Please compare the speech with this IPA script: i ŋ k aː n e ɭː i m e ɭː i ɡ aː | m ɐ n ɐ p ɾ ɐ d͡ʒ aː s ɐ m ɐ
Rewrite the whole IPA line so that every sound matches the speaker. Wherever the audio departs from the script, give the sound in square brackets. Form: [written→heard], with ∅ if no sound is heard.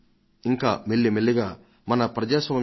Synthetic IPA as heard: i ŋ k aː [n→m] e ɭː i m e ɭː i ɡ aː | m ɐ n ɐ p ɾ ɐ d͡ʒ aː s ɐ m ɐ